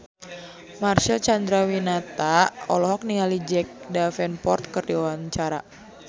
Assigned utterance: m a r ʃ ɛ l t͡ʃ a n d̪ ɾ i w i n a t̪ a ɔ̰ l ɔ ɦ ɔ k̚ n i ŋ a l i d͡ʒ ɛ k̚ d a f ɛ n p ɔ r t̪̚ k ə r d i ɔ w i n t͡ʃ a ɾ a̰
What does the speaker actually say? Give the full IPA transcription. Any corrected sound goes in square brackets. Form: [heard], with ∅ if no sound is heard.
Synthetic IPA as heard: m a r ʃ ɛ l t͡ʃ a n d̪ ɾ [a] w i n a t̪ a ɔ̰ l ɔ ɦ ɔ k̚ n i ŋ a l i d͡ʒ ɛ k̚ d a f ɛ n p ɔ r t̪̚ k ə r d i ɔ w [a] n t͡ʃ a ɾ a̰